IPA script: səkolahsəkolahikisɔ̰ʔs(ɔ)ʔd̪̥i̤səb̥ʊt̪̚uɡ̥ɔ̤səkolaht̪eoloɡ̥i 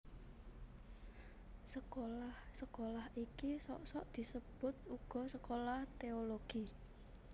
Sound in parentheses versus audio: correct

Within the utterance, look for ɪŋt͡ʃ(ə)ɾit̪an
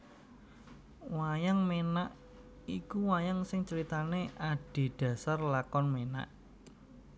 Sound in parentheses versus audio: correct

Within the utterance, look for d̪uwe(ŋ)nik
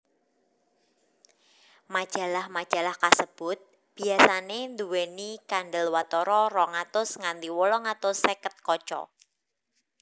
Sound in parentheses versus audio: incorrect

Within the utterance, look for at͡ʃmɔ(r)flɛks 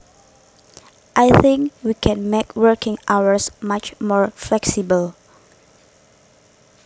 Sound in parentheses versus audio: incorrect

